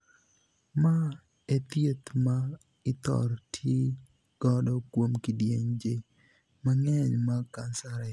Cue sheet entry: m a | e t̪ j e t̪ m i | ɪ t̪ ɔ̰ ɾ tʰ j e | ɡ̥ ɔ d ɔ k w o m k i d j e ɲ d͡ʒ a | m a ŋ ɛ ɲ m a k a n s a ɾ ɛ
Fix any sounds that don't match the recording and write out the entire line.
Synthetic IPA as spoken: m a | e t̪ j e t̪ m a | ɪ t̪ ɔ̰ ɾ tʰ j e | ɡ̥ ɔ d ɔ k w o m k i d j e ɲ d͡ʒ e | m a ŋ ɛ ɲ m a k a n s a ɾ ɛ